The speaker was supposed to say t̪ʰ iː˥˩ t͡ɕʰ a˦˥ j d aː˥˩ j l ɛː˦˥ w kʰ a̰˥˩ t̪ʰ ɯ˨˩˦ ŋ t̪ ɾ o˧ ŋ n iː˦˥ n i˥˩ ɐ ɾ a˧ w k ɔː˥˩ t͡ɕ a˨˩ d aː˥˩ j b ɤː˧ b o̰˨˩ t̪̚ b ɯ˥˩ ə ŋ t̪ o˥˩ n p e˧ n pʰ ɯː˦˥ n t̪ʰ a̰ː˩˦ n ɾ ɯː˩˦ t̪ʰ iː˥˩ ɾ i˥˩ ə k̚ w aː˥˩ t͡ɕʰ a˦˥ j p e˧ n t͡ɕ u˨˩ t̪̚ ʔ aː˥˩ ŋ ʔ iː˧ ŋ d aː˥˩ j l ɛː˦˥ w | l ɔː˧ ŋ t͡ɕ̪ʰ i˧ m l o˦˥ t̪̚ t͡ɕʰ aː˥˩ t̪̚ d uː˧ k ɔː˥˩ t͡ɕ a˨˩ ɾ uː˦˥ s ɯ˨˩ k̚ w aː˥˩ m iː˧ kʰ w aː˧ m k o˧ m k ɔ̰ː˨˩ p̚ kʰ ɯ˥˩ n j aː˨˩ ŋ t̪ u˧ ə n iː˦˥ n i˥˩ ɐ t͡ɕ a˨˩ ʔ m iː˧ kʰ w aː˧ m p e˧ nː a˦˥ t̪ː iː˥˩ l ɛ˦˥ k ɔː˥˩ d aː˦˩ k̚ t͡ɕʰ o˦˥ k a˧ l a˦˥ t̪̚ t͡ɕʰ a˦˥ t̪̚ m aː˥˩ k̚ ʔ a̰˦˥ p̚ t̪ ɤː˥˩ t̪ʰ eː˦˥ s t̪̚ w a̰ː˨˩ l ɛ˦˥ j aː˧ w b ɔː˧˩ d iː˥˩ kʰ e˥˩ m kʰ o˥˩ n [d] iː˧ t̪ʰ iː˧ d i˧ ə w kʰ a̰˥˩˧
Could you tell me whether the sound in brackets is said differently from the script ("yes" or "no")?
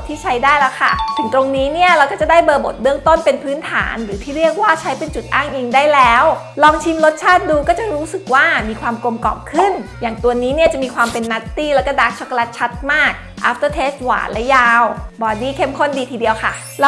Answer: no